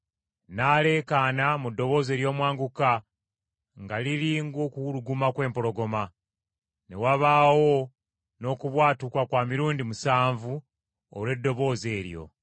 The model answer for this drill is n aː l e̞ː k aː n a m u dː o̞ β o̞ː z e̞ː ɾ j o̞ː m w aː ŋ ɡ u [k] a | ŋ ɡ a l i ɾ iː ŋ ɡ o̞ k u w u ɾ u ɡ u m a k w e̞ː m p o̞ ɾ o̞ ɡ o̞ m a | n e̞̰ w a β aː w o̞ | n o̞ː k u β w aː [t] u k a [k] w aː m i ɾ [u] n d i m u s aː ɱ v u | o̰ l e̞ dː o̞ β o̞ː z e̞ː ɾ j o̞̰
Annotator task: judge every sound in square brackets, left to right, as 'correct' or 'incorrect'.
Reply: correct, correct, correct, incorrect: uː

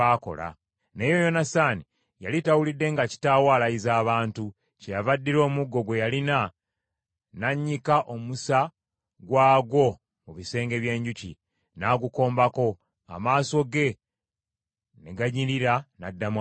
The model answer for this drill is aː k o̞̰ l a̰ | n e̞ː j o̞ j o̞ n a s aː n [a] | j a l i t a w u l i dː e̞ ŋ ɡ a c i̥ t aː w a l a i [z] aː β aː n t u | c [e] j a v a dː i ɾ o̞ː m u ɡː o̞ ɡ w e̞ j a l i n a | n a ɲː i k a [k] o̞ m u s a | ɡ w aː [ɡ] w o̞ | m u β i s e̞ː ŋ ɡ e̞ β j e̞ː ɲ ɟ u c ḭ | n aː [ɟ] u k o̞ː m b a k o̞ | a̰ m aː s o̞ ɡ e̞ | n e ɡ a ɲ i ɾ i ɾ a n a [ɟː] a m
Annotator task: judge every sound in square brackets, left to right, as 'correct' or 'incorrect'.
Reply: incorrect: i, correct, correct, incorrect: ʔ, correct, incorrect: ɡ, incorrect: dː

